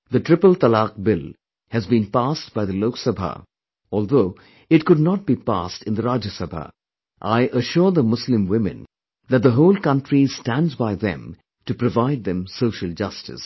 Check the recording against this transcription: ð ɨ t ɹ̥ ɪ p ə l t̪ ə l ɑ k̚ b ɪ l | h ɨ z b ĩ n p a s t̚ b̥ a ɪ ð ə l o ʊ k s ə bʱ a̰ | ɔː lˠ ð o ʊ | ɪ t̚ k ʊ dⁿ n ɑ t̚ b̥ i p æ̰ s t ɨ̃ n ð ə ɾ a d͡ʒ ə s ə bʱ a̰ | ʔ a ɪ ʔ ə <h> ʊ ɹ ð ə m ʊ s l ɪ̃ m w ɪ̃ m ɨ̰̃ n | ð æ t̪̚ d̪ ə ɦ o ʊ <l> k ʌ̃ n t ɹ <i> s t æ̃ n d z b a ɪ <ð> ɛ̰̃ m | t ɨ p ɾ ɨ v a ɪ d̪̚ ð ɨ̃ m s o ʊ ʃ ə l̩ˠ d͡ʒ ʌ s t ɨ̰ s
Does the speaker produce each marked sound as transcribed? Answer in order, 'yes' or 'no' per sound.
no, yes, yes, yes

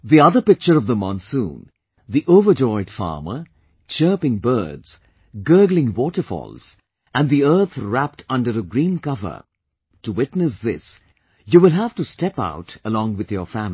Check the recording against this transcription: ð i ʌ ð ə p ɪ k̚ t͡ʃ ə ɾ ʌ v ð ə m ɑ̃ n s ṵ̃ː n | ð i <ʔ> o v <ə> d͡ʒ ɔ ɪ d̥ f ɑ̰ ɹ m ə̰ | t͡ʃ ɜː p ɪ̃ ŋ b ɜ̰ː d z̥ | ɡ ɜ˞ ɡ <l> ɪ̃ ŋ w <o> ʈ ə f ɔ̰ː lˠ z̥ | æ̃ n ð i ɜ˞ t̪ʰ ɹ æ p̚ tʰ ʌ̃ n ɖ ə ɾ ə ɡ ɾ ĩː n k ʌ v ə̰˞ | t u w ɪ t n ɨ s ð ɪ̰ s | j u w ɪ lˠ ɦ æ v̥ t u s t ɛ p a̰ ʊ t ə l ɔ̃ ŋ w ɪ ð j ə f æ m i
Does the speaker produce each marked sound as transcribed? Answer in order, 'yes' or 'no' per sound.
yes, yes, yes, no

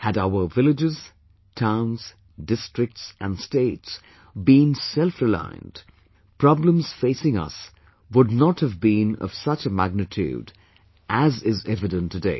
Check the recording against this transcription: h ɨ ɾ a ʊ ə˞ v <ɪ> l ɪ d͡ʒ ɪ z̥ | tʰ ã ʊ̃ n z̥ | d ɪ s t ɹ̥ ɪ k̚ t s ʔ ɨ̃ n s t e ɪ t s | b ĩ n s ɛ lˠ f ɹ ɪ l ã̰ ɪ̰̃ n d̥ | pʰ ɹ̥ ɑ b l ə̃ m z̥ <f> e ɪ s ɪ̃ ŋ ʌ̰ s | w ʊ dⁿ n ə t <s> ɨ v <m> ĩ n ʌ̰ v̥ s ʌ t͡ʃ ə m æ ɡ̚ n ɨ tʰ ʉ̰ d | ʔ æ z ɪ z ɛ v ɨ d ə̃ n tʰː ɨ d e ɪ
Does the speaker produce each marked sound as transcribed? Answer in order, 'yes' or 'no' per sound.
yes, yes, no, no

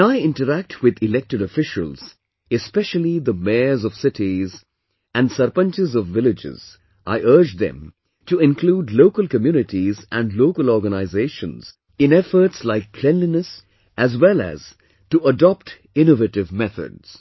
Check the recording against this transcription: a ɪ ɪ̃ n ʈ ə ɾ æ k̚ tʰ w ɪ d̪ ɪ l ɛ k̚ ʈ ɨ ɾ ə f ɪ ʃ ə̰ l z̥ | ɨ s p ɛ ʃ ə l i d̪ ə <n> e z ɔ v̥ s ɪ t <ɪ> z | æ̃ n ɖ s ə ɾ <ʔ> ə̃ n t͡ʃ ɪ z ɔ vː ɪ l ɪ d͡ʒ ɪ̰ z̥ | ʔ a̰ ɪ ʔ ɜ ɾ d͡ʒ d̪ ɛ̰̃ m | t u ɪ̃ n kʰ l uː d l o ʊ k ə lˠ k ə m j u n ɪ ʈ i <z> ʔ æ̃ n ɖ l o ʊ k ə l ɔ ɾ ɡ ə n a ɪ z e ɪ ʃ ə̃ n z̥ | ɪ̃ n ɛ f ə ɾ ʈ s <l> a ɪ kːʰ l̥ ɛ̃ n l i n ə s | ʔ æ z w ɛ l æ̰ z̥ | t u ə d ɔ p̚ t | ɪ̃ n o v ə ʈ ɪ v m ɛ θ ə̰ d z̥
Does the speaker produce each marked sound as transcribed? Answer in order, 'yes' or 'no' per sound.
no, no, no, yes, yes

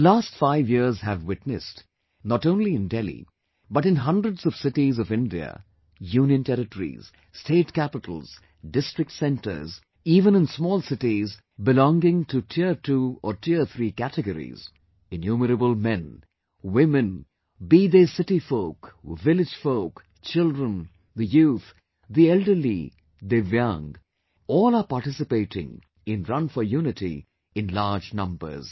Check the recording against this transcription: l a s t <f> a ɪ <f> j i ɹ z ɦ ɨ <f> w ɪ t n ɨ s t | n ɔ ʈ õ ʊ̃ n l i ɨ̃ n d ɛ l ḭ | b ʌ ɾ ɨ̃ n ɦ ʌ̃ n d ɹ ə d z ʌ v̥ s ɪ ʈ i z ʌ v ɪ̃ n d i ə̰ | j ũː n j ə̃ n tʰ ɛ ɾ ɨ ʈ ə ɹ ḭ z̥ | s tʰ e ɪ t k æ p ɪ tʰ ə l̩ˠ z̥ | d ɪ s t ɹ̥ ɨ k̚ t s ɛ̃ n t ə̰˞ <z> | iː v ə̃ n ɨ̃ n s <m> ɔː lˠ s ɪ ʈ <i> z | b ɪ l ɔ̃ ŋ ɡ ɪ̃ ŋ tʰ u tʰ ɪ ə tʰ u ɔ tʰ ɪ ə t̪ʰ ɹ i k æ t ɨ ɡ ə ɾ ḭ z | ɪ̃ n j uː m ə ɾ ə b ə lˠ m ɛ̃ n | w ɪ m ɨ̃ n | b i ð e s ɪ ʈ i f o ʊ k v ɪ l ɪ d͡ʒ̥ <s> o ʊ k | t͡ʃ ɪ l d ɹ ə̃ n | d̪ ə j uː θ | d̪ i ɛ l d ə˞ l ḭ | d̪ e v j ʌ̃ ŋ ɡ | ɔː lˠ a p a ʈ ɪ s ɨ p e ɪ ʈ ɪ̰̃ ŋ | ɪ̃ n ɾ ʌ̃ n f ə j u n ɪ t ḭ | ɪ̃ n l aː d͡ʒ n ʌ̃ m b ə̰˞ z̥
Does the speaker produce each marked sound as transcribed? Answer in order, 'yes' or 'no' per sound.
yes, no, no, yes, yes, yes, no

